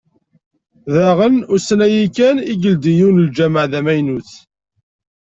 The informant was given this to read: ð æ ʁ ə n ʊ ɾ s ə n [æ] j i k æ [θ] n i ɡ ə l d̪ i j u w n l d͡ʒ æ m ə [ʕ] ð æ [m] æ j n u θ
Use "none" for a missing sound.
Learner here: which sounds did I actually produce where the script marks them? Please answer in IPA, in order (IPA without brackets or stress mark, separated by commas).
æ, none, ʕ, m